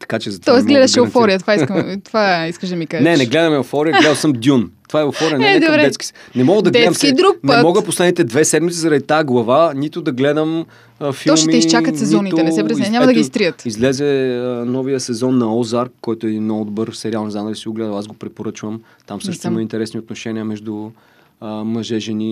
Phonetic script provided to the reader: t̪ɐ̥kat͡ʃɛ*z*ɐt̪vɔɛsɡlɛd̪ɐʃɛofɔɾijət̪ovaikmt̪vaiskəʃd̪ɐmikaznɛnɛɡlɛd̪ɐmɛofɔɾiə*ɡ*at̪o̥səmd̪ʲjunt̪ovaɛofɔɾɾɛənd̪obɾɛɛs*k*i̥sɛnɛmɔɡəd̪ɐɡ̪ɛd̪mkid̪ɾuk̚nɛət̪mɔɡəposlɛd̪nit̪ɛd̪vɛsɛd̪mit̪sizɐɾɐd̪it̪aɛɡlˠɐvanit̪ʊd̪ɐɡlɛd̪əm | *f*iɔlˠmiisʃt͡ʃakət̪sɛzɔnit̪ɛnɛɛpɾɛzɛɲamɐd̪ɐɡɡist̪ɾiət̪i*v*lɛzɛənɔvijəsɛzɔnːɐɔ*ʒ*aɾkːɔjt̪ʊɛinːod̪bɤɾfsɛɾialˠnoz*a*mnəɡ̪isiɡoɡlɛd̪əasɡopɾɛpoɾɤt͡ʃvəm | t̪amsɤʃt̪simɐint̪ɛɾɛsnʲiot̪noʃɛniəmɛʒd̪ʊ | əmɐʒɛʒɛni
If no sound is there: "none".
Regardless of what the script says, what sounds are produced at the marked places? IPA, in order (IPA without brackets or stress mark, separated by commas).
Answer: z, ɡ, k, f, z, z, a